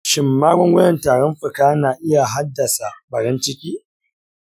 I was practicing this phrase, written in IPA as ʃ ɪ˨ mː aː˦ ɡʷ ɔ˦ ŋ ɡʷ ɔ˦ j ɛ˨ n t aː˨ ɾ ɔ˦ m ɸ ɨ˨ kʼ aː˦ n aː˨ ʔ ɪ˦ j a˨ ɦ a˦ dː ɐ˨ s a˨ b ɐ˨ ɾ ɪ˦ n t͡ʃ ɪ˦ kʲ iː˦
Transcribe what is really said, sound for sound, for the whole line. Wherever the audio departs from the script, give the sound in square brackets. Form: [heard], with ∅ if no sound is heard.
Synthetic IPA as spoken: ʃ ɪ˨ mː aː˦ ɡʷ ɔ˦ ŋ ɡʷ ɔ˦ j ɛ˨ n t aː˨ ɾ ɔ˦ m ɸ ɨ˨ [k] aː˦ n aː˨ ʔ ɪ˦ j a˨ ɦ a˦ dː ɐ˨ s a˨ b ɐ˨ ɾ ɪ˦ n t͡ʃ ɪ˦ kʲ iː˦